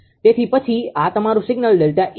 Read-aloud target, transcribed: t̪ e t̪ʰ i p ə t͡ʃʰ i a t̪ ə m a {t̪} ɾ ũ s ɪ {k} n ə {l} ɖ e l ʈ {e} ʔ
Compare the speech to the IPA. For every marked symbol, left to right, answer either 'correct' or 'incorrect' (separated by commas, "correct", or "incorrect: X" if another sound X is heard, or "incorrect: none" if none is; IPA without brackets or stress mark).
incorrect: none, incorrect: ɡ, correct, incorrect: a